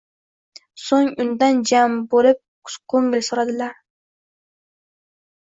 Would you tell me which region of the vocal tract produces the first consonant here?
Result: tongue tip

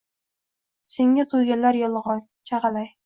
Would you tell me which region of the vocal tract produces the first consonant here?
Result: tongue tip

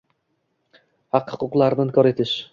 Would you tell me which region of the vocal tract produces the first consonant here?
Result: throat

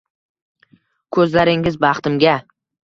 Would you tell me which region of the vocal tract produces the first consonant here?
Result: velum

